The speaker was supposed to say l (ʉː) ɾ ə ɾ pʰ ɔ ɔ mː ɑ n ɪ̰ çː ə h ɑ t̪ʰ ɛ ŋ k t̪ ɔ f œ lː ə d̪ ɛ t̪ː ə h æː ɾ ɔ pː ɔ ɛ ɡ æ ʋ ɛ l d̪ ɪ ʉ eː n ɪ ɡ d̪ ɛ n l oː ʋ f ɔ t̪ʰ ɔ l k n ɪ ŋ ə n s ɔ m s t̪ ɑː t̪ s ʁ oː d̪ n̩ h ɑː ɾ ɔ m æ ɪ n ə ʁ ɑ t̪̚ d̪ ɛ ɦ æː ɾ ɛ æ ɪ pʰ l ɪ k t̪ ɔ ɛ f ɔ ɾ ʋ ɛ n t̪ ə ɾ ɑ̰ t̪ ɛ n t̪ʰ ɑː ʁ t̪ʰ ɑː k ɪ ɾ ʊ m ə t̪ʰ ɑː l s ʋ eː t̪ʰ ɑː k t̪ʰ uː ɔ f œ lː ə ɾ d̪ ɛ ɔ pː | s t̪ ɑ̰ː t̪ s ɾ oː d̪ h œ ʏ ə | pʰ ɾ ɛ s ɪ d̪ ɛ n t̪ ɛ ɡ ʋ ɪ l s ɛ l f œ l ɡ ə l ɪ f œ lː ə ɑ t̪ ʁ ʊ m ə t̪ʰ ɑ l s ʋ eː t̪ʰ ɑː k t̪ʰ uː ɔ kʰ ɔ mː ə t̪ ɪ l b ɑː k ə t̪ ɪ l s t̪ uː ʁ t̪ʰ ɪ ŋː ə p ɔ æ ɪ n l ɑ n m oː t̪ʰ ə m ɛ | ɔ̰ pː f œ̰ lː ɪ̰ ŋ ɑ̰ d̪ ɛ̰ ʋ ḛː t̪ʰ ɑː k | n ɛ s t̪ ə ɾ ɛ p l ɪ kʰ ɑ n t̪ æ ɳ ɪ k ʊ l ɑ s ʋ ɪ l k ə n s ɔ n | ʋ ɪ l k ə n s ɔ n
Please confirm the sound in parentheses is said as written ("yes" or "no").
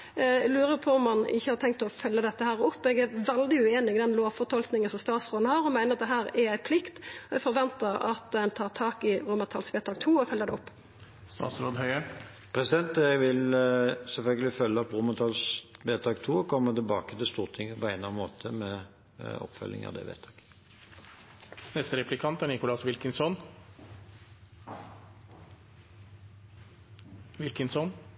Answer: yes